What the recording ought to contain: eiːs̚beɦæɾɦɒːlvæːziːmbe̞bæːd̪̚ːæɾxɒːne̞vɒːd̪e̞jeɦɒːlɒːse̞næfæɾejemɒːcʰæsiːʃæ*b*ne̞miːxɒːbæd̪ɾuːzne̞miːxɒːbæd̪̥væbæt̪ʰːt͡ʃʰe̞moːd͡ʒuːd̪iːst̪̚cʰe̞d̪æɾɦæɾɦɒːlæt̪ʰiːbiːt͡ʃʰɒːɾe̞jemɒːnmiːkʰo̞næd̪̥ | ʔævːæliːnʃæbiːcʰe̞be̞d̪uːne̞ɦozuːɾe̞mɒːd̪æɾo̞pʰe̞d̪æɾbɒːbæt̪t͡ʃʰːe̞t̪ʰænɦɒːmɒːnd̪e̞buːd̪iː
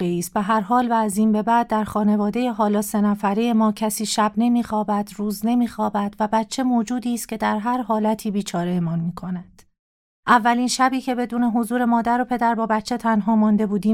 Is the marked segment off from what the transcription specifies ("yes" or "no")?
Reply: no